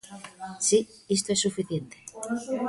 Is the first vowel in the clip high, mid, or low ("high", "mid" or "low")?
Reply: high